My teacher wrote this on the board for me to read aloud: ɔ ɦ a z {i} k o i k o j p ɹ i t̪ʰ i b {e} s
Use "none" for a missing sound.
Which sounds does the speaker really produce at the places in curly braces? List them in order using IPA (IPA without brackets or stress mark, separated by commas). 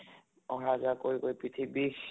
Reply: a, i